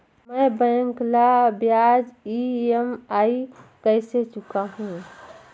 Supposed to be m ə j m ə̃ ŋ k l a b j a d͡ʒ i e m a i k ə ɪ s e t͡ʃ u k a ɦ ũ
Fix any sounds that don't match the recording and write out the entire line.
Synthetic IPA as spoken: m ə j b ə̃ ŋ k l a b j a d͡ʒ i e m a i k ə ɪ s e t͡ʃ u k a ɦ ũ